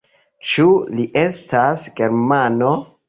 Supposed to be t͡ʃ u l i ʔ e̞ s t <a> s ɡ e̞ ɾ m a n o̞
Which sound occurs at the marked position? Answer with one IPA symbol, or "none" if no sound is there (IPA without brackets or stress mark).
a